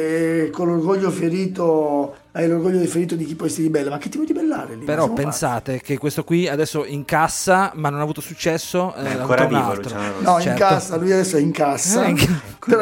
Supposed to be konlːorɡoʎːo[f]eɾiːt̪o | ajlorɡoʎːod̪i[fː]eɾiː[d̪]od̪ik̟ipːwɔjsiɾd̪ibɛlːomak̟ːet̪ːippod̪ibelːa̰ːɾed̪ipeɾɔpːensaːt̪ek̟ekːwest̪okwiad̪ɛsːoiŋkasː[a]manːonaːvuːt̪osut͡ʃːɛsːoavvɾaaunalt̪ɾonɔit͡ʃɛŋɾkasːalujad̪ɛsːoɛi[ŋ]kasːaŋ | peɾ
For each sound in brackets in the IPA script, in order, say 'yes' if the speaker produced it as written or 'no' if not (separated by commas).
yes, no, no, yes, yes